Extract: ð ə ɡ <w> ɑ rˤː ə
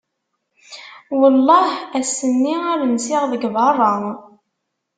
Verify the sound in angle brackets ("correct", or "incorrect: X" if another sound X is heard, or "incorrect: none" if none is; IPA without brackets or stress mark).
incorrect: v